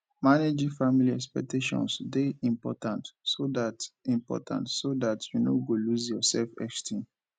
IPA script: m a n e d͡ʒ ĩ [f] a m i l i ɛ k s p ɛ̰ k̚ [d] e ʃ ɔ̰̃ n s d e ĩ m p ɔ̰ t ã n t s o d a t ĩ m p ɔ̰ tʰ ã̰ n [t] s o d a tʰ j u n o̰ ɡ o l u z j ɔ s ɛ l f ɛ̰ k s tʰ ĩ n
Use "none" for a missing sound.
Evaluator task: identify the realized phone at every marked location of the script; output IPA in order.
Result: f, t, t

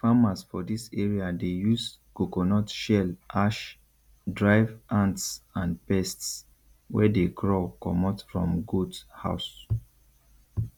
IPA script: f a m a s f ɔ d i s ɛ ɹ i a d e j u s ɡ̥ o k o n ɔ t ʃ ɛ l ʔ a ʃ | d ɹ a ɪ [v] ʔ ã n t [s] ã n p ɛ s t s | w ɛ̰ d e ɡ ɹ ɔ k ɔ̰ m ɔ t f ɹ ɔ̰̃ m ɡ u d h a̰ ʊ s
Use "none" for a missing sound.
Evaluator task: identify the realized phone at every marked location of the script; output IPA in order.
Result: v, s

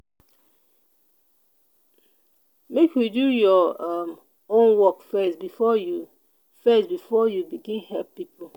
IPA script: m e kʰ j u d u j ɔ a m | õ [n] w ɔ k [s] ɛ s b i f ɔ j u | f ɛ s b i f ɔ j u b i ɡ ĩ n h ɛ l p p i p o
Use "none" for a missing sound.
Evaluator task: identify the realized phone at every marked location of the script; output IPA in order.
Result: n, f

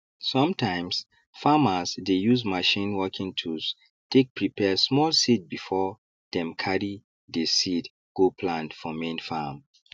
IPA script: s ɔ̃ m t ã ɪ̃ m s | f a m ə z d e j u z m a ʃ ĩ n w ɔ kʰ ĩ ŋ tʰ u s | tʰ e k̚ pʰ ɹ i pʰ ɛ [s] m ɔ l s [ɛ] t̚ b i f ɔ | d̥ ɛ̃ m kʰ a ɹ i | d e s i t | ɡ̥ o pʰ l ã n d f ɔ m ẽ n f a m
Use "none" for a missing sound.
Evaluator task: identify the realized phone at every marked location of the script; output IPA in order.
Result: s, i

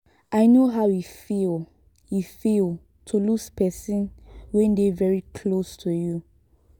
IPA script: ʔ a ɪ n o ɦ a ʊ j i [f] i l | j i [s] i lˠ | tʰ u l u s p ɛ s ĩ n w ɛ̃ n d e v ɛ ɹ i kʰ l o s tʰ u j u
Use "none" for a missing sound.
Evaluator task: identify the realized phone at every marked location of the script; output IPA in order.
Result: f, f

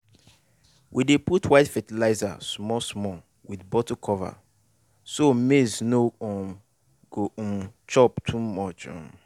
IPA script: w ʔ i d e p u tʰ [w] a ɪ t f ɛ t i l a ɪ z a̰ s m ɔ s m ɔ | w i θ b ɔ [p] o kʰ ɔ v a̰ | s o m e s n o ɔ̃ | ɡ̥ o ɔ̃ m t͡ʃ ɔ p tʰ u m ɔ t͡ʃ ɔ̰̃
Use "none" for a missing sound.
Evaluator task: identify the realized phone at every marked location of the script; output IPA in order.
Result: w, t

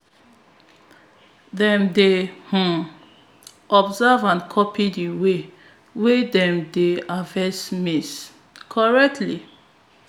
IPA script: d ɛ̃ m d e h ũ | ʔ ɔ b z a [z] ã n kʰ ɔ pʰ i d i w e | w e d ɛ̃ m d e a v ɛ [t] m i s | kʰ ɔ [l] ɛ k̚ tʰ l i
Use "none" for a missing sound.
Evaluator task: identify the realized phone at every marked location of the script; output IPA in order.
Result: v, s, ɹ

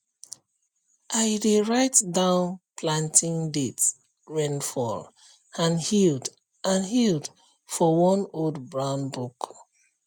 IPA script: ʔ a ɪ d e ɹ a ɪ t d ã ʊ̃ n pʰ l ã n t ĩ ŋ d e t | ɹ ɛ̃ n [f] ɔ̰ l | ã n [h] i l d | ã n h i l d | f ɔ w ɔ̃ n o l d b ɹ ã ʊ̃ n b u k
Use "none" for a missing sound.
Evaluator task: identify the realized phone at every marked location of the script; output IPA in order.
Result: f, h

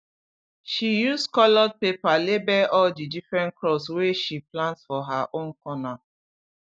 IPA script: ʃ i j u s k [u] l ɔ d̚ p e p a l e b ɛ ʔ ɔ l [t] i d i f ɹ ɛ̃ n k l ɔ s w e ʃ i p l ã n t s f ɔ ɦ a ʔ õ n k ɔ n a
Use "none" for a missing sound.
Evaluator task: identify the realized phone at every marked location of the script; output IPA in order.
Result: ɔ, d

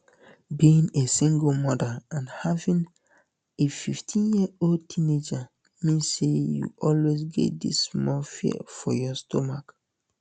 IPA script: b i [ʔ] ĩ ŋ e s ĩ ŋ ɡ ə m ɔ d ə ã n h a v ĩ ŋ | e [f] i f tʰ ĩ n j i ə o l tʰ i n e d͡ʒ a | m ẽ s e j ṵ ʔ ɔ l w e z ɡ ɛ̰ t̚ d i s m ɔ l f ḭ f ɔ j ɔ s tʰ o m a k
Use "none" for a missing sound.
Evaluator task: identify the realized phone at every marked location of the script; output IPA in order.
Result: none, f

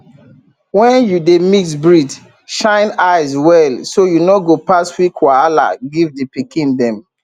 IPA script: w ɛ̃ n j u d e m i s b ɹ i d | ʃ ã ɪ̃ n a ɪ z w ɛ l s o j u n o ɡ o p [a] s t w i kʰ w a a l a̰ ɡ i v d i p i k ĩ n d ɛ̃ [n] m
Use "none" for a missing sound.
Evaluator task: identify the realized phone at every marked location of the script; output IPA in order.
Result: a, none

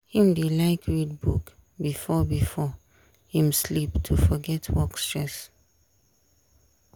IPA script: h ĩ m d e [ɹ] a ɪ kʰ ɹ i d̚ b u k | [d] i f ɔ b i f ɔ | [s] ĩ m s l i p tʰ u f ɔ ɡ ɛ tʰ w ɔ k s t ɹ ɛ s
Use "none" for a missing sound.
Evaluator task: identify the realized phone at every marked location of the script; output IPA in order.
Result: l, b, h

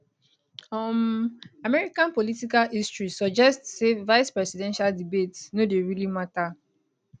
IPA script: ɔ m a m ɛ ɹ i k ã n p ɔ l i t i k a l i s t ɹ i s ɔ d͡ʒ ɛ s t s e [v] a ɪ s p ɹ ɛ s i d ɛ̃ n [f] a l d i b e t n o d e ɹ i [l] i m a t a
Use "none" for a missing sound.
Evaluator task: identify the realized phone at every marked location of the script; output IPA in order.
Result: v, ʃ, l

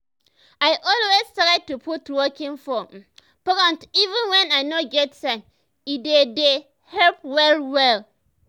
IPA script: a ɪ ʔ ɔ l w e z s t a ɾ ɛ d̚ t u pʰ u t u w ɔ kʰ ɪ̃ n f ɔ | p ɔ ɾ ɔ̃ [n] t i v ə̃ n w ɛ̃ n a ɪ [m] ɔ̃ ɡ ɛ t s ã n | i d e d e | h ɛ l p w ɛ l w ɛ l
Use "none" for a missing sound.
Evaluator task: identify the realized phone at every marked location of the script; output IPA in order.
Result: n, n

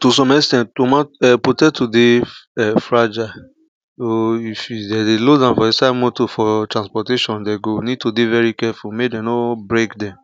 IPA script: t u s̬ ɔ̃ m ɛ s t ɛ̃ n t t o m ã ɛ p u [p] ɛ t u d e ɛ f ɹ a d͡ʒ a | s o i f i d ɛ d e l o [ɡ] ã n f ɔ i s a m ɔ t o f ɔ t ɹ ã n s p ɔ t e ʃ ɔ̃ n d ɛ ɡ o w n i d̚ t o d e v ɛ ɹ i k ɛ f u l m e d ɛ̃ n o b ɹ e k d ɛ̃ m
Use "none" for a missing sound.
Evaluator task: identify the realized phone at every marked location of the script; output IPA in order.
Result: t, d

